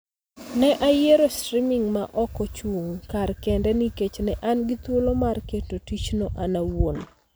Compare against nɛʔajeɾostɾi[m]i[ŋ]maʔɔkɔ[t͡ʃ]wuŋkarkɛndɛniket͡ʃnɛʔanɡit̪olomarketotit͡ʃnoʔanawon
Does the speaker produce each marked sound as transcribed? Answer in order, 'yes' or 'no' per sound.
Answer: yes, yes, yes

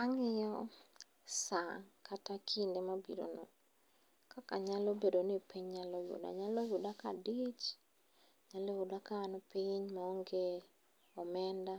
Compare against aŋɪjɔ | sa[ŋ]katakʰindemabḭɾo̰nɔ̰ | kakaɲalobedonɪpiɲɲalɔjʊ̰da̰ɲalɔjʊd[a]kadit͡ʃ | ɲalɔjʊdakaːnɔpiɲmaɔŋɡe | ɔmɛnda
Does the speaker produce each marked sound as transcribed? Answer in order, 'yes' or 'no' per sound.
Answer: yes, yes

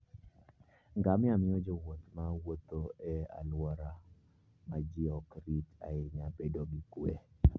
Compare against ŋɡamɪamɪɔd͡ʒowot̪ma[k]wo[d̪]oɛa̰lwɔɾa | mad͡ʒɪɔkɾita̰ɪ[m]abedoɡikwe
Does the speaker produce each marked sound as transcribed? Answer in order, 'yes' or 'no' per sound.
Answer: no, no, no

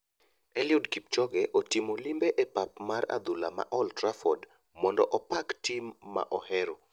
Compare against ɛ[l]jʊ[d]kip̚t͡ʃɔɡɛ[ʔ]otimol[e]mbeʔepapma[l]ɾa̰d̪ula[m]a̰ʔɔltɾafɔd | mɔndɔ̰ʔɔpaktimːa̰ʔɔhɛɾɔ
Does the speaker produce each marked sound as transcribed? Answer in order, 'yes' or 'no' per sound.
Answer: yes, yes, yes, no, no, yes

